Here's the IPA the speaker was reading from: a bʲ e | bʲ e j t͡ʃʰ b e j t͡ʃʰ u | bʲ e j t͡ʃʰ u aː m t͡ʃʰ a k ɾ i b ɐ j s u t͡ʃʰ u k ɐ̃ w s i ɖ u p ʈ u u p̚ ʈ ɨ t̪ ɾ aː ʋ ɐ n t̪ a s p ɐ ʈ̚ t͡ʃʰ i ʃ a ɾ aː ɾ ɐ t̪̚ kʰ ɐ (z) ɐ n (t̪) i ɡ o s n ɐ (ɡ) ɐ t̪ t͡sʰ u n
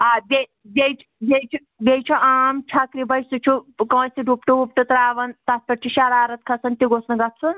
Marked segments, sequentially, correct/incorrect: incorrect, correct, correct

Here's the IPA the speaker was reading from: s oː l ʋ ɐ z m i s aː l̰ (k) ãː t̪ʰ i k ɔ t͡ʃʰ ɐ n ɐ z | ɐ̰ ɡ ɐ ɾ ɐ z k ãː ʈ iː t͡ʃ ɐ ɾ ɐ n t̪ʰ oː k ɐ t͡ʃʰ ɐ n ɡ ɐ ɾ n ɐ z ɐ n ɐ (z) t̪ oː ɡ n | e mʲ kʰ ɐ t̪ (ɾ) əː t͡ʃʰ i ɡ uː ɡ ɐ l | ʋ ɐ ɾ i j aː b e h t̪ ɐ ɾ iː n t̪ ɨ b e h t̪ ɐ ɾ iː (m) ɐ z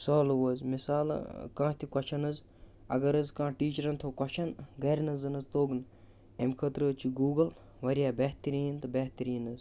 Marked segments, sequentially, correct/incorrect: correct, correct, correct, incorrect

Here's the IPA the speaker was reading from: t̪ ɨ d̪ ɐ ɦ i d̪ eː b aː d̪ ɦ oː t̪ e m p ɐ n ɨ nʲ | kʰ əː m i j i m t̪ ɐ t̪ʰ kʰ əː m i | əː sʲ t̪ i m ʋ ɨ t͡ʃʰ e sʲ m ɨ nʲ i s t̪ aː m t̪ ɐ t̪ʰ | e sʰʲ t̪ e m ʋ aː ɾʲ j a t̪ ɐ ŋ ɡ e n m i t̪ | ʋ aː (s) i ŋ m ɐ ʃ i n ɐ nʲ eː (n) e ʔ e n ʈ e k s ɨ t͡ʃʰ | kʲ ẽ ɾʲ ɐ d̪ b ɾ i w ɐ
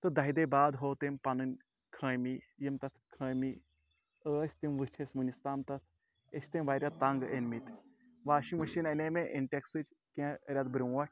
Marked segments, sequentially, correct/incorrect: incorrect, incorrect

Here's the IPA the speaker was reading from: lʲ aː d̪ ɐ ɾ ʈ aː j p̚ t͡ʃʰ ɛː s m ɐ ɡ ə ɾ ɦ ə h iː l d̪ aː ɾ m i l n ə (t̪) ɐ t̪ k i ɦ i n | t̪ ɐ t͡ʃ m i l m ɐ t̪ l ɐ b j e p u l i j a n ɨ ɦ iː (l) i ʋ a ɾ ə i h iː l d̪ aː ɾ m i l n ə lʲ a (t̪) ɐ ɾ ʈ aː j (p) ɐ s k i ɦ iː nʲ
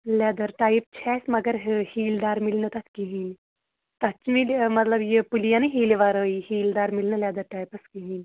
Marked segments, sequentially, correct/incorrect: correct, correct, incorrect, correct

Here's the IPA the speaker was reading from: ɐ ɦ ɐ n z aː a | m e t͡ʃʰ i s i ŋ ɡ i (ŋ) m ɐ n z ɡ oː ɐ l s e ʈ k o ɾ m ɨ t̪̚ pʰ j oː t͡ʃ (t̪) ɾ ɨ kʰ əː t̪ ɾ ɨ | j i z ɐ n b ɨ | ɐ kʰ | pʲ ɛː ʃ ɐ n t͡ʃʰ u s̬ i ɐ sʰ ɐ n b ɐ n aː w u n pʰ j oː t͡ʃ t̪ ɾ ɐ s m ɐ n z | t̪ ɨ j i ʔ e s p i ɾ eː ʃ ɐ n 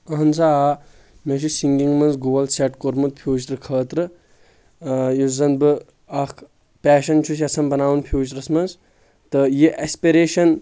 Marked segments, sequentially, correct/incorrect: correct, correct

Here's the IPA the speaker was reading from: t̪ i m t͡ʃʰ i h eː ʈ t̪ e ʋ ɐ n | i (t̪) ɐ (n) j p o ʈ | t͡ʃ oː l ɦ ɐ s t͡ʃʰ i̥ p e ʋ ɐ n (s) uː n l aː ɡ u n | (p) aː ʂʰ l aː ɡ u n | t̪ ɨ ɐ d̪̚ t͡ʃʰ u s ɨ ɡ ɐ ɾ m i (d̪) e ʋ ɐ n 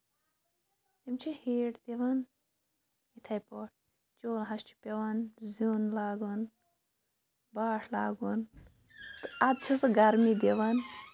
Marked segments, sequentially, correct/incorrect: incorrect, incorrect, incorrect, incorrect, correct

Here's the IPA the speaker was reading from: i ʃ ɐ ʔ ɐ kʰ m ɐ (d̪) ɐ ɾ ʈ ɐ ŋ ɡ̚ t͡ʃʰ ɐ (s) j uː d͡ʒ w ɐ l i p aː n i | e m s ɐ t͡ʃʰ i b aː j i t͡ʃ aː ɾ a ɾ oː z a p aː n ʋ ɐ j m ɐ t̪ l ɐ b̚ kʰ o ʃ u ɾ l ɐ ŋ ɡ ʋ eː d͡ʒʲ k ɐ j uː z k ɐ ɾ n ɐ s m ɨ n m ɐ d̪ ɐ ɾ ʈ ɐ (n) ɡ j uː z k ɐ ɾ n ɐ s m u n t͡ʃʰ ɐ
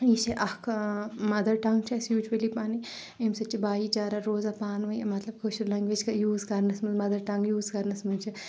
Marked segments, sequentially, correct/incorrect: correct, correct, incorrect

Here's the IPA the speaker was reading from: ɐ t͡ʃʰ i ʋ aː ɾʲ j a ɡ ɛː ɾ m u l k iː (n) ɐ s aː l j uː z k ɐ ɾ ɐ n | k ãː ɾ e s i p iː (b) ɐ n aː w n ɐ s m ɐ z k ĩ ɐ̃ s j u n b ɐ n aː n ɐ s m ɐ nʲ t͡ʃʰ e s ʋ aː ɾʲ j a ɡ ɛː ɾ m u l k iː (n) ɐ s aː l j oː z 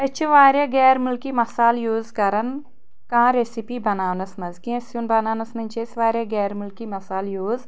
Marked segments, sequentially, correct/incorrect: incorrect, correct, incorrect

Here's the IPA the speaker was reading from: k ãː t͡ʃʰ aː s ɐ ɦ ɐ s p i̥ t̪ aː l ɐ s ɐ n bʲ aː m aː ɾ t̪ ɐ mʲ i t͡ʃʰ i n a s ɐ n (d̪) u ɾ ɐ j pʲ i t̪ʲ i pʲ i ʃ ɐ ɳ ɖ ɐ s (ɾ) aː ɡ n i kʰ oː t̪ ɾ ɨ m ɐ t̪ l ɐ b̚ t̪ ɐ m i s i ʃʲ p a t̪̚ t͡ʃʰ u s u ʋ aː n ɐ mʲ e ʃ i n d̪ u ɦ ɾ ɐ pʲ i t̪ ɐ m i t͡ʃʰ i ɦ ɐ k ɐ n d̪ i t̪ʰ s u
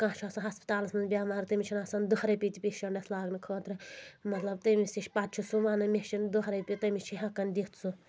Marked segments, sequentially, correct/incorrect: correct, incorrect

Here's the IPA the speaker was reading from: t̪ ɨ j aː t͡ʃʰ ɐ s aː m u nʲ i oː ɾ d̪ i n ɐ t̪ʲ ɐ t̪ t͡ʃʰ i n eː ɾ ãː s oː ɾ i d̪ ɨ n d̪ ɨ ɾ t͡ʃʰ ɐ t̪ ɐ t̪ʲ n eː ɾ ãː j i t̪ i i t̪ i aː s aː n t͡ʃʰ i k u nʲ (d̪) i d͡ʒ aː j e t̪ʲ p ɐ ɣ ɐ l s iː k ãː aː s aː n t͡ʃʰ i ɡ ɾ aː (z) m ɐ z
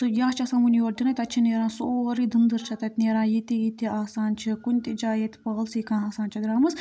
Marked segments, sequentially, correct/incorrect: incorrect, incorrect

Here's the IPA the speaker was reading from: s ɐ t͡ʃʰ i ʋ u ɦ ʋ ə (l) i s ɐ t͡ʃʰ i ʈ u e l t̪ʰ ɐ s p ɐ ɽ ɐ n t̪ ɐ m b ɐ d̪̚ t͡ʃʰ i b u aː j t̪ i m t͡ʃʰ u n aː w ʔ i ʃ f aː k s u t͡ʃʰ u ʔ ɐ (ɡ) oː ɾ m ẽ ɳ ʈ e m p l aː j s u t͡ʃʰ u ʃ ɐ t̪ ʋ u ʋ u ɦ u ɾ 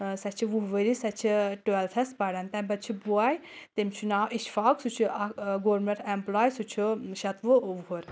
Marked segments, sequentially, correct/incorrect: incorrect, correct

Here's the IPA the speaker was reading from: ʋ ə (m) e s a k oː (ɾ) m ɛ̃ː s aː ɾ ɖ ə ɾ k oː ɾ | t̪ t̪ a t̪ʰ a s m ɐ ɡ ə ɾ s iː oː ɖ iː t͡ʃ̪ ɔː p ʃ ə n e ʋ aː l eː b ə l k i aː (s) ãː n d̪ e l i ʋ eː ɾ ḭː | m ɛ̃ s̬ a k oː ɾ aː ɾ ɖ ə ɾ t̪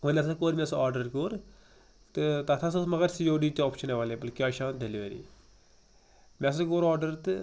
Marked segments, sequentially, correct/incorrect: incorrect, correct, incorrect

